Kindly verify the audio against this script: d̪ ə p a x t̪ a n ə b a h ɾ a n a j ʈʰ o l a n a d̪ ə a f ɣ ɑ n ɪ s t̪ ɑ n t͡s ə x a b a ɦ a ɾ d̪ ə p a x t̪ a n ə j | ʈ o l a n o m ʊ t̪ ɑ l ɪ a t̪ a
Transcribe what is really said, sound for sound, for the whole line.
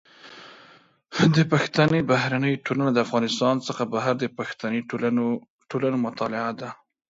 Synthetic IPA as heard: d̪ ə p a x t̪ a n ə b a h ɾ a n ə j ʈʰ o l a n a d̪ ə a f ɣ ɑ n ɪ s t̪ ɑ n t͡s ə x a b a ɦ a ɾ d̪ ə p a x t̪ a n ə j | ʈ o l a n o m ʊ t̪ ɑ l ɪ a d̪ a